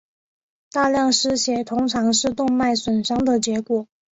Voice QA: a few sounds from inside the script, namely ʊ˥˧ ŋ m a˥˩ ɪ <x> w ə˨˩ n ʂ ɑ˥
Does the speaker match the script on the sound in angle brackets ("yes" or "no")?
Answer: no